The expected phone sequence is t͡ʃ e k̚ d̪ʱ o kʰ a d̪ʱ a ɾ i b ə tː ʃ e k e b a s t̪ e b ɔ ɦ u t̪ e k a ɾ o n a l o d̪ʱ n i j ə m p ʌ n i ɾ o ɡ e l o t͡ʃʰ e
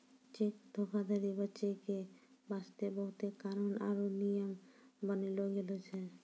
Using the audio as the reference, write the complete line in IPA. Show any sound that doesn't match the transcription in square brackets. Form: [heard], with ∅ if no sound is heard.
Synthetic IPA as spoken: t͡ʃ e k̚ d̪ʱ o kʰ a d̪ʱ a ɾ i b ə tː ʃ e k e b a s t̪ e b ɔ ɦ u t̪ e k a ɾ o n a [ɾ] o [∅] n i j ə m [b] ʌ n i [l] o ɡ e l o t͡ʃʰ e